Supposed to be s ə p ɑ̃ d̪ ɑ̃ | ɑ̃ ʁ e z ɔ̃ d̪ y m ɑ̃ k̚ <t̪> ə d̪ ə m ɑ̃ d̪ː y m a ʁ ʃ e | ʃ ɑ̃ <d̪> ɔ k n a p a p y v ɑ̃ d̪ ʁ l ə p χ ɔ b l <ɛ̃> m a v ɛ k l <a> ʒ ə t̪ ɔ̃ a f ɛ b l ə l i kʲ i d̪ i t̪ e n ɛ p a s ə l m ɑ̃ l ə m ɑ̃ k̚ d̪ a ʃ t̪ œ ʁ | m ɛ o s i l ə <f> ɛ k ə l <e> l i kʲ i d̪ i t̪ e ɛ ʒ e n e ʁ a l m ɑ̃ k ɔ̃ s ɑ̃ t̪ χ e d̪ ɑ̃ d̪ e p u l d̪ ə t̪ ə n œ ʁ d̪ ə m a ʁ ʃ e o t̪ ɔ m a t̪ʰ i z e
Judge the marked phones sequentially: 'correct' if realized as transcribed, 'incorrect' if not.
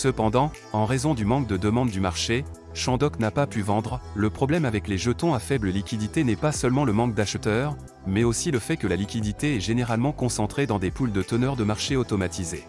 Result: incorrect, correct, incorrect, incorrect, correct, incorrect

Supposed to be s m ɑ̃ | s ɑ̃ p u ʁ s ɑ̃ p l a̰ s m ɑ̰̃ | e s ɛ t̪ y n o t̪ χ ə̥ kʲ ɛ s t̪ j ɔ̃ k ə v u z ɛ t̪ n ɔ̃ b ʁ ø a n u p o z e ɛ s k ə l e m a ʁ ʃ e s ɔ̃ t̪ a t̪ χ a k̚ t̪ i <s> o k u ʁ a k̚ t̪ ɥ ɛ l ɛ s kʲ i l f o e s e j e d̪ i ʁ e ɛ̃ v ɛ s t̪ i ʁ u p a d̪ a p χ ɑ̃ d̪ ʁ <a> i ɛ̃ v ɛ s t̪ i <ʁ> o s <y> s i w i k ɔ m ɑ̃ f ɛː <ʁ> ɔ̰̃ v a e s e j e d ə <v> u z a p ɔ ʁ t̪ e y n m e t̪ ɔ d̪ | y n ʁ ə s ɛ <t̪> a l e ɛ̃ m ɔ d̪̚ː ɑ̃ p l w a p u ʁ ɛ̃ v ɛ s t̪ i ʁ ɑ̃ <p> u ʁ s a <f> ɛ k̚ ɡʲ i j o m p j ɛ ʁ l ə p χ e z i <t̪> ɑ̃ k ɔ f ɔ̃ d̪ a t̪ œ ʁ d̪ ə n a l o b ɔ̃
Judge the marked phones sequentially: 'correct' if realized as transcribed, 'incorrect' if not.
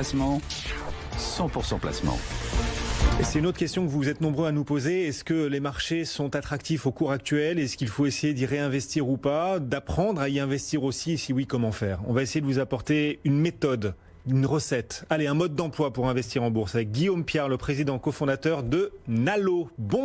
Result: incorrect, correct, correct, incorrect, correct, correct, correct, incorrect, incorrect, incorrect

